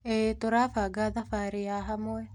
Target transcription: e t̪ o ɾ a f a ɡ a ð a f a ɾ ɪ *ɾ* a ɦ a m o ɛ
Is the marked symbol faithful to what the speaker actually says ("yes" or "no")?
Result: no